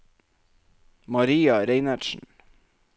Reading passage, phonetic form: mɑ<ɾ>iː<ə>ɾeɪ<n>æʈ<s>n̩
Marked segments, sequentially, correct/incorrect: correct, incorrect: ɑ, correct, incorrect: ʃ

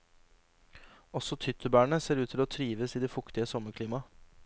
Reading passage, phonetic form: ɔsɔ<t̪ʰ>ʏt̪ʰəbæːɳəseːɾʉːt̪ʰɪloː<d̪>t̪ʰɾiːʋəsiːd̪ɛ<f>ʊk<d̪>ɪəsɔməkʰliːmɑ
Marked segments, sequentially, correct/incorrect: correct, incorrect: none, correct, incorrect: t̪

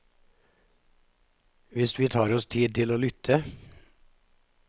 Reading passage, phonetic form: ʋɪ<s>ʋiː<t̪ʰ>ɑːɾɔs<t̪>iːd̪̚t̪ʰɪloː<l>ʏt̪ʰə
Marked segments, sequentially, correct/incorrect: correct, correct, incorrect: t̪ʰ, correct

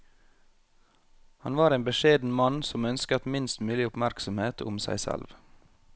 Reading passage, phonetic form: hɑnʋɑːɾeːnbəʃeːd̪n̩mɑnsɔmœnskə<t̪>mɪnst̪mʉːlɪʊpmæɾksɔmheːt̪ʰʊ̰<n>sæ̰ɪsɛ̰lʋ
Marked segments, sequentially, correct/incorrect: correct, incorrect: m

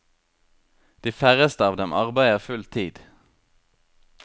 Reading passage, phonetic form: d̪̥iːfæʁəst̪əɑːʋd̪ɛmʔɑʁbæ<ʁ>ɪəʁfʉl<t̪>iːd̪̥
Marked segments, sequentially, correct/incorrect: incorrect: none, incorrect: t̪ʰ

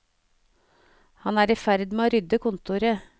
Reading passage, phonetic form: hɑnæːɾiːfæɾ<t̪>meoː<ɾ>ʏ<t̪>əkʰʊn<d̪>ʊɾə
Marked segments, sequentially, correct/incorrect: incorrect: d̪, correct, incorrect: d̪, incorrect: t̪

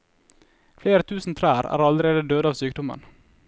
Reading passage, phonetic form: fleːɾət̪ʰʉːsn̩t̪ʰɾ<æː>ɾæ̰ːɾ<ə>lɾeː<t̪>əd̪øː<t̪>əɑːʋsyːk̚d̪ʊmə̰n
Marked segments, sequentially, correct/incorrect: correct, incorrect: ɑ, incorrect: d̪, incorrect: d̪

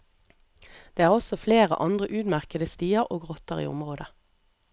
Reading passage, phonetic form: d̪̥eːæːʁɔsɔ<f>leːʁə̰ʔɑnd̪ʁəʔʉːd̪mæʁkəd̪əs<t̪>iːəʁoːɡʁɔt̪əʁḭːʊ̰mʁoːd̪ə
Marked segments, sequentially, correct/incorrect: correct, correct

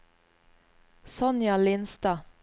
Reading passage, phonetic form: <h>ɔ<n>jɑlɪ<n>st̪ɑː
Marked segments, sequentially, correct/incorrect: incorrect: s, correct, correct

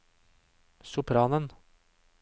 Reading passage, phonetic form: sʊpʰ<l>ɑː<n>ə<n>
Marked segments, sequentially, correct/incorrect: incorrect: ɾ, correct, correct

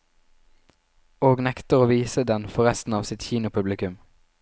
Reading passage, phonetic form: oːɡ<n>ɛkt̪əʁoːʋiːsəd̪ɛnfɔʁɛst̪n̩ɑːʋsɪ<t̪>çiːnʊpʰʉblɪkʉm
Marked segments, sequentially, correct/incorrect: correct, correct

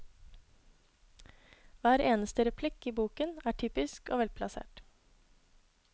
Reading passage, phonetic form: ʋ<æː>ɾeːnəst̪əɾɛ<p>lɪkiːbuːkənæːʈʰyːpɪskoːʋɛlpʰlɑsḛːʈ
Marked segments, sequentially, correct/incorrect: correct, incorrect: pʰ

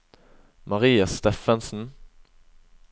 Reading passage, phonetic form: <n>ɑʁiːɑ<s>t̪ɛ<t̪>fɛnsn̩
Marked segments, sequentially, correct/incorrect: incorrect: m, correct, incorrect: none

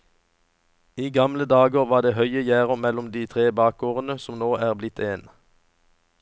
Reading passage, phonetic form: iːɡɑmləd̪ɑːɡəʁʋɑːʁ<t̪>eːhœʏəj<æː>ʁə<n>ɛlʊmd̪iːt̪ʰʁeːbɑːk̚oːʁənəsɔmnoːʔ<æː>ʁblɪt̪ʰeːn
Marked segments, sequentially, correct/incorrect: incorrect: d̪, correct, incorrect: m, correct

